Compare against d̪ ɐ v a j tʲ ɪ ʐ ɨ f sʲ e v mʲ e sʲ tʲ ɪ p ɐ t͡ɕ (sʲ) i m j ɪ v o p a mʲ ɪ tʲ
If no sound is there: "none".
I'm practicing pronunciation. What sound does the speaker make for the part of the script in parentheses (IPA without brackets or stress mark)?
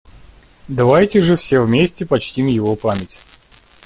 tʲ